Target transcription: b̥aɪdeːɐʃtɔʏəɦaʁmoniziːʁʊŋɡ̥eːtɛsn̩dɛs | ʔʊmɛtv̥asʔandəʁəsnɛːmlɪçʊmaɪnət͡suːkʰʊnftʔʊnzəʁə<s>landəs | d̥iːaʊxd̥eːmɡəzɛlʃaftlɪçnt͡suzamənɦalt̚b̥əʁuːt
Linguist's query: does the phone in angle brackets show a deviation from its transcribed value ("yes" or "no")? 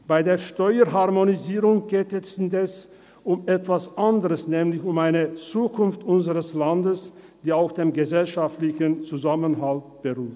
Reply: no